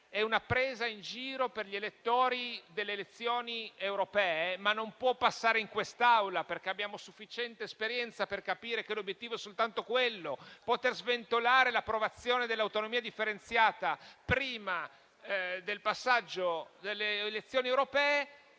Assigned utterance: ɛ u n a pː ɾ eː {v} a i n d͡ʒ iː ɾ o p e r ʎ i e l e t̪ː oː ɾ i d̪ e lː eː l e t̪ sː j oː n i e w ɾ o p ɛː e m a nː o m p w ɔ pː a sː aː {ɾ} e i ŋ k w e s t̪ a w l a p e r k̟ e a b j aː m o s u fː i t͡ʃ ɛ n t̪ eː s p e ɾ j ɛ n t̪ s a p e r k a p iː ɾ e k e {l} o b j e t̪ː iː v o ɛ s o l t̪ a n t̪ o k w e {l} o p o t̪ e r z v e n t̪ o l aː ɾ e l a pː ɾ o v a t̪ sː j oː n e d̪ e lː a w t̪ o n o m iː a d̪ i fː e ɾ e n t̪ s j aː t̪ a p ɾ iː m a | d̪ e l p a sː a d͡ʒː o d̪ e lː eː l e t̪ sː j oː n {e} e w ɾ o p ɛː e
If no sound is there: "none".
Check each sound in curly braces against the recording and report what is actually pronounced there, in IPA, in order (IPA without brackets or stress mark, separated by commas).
z, ɾ, l, lː, i